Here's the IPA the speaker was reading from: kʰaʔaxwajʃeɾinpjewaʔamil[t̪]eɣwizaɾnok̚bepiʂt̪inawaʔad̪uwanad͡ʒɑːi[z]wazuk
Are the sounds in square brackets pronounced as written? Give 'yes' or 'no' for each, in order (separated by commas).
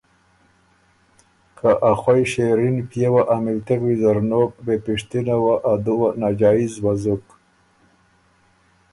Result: yes, yes